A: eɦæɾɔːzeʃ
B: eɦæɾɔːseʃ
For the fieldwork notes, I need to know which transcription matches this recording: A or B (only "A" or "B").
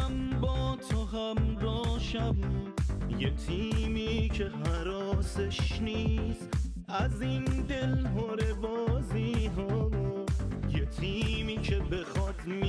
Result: B